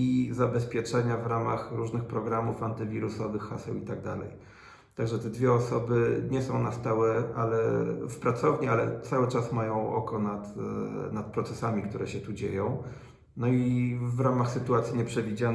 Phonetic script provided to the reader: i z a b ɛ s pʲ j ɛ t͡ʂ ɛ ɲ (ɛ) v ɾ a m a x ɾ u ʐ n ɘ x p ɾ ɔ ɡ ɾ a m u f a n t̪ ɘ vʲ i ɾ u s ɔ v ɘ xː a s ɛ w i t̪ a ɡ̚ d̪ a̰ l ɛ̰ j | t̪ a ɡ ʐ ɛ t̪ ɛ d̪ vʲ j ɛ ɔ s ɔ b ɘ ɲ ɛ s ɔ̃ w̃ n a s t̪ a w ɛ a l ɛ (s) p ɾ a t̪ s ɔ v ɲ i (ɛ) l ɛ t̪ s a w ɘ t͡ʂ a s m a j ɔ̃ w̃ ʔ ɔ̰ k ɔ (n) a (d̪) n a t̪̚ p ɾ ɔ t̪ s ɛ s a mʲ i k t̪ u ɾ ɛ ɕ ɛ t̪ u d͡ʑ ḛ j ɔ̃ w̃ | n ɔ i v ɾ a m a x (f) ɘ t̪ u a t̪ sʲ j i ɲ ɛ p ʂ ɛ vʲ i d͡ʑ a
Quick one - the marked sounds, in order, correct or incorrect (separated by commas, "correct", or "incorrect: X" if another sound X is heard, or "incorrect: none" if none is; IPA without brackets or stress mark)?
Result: incorrect: a, incorrect: f, incorrect: a, correct, incorrect: t̪, incorrect: s